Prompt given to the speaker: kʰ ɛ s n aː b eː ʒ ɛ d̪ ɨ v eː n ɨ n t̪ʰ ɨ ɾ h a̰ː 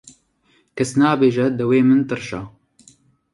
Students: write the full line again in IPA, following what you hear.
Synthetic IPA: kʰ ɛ s n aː b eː ʒ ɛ d̪ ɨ w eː m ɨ n t̪ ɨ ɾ ʃ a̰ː